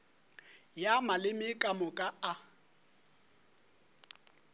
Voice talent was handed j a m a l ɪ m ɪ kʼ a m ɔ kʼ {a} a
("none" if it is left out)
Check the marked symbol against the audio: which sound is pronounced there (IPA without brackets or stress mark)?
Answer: a